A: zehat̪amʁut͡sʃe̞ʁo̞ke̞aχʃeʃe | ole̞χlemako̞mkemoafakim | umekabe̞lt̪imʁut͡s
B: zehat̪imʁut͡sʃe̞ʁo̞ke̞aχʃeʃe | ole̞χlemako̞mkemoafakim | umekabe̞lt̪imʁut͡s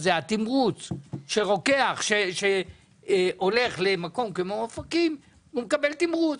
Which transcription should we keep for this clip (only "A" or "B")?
B